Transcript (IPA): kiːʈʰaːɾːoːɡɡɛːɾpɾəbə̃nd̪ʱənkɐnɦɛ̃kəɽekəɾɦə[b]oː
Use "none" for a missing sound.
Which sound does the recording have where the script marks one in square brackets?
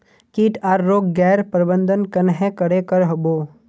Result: b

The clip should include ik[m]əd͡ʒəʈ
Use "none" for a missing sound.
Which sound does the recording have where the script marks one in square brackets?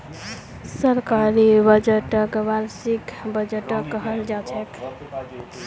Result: b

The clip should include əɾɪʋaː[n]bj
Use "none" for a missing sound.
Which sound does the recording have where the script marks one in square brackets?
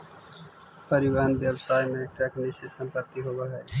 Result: n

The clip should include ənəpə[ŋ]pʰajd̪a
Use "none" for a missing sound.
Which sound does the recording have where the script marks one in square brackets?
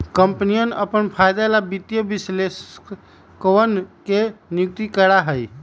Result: n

